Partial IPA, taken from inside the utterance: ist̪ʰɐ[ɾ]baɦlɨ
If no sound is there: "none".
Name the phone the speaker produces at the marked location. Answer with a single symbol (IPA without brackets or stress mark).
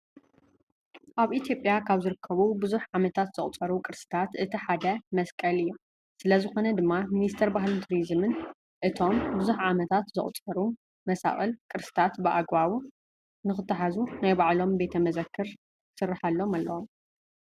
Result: ɾ